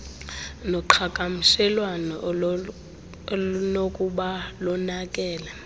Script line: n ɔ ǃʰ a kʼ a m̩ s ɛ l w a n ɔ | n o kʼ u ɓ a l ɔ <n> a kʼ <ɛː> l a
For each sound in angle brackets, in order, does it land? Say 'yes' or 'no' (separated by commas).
yes, yes